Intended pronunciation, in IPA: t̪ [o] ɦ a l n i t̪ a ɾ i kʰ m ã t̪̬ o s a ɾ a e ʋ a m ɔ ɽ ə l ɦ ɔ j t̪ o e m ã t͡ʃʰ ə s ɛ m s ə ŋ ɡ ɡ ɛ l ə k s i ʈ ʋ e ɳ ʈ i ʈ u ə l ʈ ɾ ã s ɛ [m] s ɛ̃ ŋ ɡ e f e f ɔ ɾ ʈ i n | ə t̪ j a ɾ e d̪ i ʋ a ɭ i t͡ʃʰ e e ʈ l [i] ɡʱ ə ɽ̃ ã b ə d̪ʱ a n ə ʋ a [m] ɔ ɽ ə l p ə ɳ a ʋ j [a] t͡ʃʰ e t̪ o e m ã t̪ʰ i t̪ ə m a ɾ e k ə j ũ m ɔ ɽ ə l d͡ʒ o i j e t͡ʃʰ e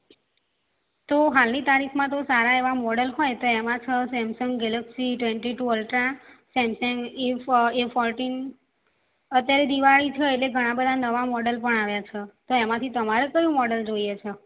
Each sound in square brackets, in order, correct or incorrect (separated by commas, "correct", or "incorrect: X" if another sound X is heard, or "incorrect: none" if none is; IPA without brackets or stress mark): correct, correct, incorrect: e, correct, correct